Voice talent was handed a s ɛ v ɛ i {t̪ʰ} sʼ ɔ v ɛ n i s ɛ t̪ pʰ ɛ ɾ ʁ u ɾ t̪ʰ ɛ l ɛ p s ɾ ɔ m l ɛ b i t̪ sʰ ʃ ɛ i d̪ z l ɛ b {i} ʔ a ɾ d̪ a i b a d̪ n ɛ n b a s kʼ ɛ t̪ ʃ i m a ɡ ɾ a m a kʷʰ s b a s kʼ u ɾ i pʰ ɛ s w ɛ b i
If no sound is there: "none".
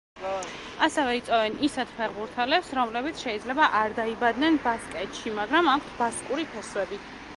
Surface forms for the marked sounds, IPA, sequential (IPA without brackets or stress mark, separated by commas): t̪, a